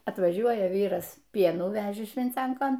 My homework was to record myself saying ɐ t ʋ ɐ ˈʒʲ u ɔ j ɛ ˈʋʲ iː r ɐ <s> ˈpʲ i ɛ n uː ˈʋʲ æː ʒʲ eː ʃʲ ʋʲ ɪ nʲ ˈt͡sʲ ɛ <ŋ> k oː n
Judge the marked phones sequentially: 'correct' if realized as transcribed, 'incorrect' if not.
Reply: correct, correct

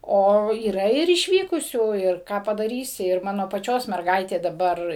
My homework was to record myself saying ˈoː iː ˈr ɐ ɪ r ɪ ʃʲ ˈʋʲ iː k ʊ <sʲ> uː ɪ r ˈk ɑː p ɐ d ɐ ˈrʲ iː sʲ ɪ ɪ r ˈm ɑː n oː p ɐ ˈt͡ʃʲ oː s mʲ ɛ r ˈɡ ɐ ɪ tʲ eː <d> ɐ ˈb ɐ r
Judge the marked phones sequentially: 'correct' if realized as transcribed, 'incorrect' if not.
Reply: correct, correct

